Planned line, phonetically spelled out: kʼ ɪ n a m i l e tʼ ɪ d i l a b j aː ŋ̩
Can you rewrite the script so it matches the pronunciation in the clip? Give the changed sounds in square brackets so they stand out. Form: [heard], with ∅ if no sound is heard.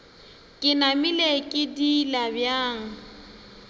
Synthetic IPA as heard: kʼ ɪ n a m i l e [kʼ] ɪ d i l a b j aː ŋ̩